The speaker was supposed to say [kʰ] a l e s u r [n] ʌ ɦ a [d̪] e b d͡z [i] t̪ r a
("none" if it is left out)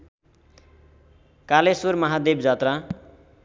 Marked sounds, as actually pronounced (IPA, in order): k, m, d̪, a

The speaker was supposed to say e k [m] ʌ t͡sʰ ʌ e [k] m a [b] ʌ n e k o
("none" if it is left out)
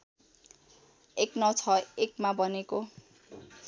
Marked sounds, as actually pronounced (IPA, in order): n, k, b

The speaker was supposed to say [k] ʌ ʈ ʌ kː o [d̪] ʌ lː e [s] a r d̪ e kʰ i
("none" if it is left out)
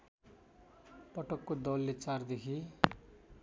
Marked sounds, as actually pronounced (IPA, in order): p, d̪, t͡s

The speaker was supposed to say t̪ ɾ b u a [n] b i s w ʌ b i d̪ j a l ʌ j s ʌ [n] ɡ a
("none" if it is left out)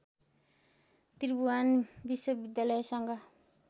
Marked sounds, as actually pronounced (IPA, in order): n, ŋ

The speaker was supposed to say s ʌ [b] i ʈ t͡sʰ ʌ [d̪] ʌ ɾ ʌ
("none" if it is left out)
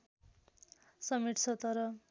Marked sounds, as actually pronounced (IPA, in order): m, t̪

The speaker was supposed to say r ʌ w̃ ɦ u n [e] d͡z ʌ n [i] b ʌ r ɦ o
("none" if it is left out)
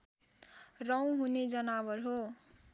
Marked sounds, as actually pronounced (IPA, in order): e, a

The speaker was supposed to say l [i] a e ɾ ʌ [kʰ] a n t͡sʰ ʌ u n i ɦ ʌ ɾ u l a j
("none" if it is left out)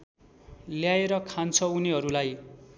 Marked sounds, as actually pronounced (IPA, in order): j, kʰ

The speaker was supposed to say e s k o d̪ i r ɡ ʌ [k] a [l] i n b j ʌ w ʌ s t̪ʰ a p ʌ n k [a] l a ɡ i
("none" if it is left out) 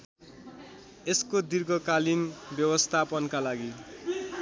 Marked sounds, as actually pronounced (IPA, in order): k, l, a

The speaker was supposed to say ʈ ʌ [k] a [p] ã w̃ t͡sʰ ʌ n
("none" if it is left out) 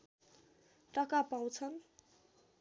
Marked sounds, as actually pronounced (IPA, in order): k, p

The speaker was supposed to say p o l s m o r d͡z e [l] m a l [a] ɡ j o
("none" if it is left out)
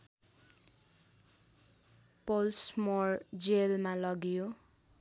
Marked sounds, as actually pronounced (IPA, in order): l, ʌ

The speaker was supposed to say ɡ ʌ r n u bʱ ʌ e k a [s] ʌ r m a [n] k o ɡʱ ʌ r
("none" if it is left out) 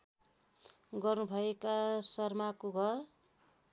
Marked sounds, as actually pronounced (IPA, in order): s, none

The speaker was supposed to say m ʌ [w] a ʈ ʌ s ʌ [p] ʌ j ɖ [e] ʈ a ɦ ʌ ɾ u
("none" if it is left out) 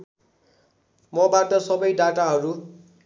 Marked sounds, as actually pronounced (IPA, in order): b, b, a

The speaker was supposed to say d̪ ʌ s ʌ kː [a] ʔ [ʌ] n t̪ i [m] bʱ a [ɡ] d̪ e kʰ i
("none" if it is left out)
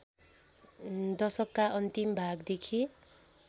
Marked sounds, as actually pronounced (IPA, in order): a, ʌ, m, ɡ

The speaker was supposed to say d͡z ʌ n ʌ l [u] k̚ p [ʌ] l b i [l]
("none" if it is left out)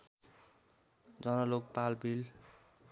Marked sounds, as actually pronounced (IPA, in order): o, a, l

